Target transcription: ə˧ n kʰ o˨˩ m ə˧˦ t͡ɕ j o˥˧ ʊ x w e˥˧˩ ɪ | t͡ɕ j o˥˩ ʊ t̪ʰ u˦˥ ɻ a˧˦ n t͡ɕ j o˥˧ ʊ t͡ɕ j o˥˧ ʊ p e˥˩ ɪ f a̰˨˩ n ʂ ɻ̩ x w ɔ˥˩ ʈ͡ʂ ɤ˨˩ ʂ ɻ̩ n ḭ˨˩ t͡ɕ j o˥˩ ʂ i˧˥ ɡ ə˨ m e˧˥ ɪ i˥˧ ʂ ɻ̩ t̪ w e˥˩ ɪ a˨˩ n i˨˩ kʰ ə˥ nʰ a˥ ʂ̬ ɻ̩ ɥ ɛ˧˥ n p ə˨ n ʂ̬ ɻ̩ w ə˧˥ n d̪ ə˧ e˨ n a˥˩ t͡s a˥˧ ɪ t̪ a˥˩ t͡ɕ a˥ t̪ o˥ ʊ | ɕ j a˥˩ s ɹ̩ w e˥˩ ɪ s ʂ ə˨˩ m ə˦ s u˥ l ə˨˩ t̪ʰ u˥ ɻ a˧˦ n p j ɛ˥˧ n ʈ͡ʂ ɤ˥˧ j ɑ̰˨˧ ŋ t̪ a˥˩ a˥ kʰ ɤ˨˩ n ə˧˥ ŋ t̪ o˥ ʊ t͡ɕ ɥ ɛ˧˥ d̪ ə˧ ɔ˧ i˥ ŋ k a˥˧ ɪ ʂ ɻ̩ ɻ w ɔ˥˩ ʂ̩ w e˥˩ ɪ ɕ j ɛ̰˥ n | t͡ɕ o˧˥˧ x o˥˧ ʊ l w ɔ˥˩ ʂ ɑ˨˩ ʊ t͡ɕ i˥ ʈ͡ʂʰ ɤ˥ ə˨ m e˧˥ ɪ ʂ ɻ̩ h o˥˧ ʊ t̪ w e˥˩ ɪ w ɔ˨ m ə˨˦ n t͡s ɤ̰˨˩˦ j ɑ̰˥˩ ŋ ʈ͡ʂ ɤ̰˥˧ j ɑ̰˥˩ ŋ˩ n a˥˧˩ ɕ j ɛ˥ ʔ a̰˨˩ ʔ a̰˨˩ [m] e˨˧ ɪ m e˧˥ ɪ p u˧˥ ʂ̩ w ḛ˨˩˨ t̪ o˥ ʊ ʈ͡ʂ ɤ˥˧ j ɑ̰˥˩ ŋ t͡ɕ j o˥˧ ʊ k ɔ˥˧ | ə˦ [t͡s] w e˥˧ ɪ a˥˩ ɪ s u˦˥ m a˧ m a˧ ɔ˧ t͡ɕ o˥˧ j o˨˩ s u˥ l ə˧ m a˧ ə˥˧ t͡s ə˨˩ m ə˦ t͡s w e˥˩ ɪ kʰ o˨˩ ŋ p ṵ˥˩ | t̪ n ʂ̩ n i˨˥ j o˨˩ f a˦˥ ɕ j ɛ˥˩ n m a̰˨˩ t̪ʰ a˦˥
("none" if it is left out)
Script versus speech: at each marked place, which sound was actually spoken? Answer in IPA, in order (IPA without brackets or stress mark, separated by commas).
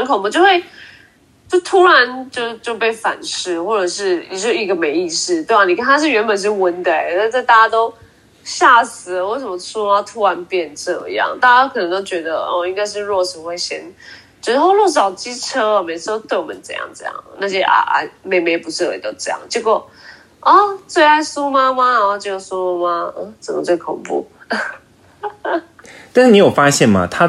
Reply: m, t͡s